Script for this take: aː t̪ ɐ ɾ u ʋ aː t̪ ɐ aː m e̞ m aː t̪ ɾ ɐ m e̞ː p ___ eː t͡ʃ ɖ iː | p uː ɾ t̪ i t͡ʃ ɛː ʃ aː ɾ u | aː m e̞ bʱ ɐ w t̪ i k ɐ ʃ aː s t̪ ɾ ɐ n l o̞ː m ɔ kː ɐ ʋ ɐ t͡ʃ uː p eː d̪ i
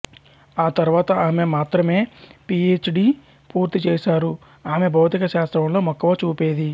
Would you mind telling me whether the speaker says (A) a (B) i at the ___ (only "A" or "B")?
B